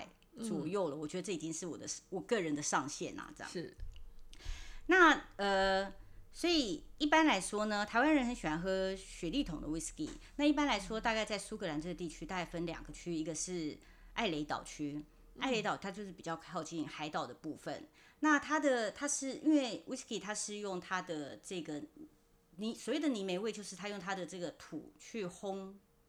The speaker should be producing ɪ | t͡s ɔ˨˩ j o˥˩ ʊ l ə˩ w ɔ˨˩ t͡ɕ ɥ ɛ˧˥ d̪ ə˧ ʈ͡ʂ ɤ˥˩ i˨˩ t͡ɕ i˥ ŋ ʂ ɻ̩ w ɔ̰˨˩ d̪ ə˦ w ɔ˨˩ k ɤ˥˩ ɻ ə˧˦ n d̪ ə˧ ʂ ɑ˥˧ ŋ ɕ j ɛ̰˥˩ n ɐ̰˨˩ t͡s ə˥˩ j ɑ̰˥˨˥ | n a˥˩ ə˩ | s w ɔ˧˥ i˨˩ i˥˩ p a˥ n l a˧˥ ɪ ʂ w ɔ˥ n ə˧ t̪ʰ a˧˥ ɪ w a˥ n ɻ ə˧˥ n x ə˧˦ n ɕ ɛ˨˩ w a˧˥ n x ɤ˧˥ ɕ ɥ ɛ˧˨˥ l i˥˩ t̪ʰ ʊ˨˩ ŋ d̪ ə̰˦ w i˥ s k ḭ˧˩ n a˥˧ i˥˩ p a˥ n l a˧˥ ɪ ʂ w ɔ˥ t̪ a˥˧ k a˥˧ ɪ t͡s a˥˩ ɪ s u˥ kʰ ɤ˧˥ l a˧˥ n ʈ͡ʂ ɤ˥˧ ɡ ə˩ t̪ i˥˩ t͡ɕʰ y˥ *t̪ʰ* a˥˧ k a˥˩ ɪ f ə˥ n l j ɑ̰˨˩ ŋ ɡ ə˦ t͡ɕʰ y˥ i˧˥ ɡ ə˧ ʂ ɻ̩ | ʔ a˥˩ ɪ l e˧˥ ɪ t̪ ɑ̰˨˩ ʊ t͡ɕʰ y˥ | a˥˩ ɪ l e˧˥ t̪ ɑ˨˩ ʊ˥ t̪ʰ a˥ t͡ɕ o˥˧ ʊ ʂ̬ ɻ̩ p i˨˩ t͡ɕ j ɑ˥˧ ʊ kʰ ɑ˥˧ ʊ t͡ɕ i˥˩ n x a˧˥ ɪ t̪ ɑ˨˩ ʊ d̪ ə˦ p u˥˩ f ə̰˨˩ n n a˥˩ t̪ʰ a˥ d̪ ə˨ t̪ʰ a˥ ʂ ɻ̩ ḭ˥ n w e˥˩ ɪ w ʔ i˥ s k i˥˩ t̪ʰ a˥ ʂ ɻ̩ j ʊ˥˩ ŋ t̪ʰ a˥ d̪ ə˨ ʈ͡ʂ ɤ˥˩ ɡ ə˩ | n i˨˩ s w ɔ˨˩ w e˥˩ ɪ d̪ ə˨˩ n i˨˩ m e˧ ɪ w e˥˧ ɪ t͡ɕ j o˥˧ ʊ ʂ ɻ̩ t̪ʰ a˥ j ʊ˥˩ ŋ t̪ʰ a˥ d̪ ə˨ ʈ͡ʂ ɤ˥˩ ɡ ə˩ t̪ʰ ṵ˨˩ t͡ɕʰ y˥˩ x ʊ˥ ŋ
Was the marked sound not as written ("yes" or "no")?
yes